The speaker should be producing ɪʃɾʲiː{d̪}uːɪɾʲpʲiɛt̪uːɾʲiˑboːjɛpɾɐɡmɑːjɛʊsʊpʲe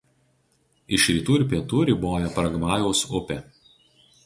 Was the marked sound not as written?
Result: yes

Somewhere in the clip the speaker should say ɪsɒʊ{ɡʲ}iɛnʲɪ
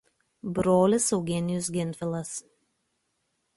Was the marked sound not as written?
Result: no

